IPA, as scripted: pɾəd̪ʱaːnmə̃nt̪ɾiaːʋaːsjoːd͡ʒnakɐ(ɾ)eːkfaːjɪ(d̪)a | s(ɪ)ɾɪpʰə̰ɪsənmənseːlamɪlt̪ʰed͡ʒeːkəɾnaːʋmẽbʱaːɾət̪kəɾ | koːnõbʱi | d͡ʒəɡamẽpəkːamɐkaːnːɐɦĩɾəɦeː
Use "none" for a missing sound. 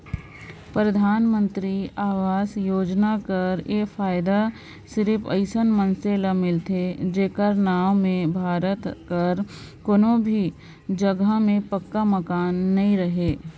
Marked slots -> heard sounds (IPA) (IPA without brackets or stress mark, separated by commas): ɾ, d̪, ɪ